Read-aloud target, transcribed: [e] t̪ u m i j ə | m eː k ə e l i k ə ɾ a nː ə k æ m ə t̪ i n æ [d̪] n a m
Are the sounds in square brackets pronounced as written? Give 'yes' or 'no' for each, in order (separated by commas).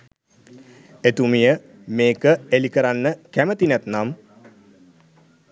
yes, no